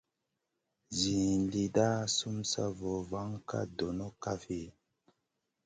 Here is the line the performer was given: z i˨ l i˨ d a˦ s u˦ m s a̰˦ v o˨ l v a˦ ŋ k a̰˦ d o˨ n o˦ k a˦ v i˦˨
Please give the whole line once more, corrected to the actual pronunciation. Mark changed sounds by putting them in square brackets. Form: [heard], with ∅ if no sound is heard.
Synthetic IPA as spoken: z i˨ l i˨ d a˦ s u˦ m s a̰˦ v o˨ [∅] v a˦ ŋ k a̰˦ d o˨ n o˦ k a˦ [f] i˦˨